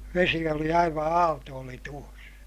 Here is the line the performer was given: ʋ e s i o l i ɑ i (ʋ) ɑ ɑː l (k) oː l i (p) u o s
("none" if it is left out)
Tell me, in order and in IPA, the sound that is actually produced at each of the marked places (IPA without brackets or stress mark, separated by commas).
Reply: ʋ, t, t